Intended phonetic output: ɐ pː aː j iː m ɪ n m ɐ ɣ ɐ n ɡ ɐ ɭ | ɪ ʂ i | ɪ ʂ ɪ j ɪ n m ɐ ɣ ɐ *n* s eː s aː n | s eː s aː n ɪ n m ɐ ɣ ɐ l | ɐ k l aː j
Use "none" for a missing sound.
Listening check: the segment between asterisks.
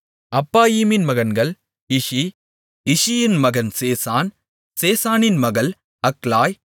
n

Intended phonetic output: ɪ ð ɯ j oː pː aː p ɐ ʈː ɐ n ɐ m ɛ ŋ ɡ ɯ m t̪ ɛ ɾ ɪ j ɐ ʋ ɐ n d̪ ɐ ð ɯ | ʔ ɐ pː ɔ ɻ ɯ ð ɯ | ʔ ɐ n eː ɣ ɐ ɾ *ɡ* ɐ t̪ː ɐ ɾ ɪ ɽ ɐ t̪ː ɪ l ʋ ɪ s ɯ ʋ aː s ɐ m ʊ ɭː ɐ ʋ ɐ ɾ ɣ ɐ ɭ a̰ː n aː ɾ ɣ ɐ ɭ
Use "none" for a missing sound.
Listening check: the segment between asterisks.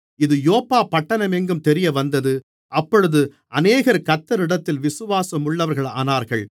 k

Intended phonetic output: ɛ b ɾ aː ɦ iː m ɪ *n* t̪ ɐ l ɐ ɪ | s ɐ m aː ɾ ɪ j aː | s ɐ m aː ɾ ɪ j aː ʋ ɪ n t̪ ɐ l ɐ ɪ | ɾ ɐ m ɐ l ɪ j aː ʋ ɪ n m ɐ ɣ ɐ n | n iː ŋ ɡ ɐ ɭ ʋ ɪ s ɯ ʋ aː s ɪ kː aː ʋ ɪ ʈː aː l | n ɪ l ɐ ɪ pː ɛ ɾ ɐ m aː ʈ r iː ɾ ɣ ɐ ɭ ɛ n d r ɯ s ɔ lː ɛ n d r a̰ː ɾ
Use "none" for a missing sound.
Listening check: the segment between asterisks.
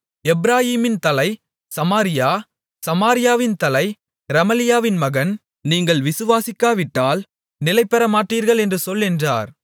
n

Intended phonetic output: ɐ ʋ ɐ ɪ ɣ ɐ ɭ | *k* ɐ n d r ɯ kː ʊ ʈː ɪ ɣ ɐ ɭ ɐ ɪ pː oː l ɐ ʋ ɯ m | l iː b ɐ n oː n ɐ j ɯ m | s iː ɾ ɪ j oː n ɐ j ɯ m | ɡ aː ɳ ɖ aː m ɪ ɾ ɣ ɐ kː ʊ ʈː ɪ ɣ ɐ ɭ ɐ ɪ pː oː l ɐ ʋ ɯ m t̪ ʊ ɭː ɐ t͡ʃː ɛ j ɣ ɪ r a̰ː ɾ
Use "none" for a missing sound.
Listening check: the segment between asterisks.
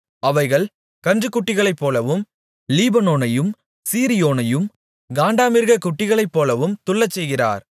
k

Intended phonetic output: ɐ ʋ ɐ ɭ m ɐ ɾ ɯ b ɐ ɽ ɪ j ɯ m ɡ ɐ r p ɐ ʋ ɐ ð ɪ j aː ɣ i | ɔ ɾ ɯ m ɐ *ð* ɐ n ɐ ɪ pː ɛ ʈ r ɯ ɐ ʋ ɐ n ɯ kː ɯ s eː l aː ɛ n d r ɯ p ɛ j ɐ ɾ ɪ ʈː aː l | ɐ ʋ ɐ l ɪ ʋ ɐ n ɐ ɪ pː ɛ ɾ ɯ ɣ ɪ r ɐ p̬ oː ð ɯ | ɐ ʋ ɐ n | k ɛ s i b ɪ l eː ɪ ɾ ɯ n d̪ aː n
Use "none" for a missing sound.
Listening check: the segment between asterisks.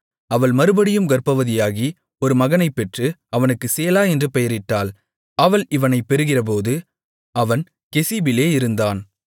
ɣ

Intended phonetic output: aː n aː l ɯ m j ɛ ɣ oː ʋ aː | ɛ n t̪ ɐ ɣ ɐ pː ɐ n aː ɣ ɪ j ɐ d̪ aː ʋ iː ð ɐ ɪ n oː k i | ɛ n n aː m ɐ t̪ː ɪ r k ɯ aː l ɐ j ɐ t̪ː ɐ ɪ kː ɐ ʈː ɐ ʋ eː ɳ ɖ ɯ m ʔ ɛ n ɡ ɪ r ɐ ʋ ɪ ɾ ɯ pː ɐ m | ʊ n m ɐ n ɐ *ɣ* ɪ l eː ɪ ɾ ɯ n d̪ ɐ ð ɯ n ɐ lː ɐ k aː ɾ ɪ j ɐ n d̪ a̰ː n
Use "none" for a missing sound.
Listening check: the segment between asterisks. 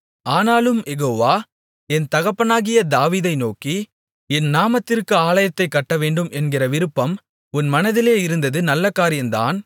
ð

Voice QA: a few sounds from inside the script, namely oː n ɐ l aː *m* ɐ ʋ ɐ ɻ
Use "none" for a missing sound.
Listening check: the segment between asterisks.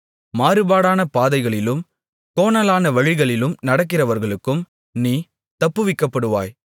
n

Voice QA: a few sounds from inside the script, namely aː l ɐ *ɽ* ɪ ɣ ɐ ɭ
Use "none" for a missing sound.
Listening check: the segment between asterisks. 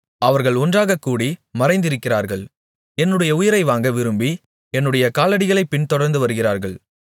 ɽ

